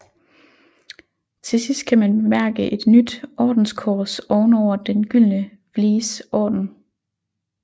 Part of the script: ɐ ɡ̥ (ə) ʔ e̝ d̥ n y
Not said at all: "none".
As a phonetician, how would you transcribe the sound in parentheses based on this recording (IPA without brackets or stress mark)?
ə